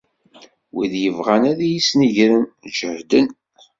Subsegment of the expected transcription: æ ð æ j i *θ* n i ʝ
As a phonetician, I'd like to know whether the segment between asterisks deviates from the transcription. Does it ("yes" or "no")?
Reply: yes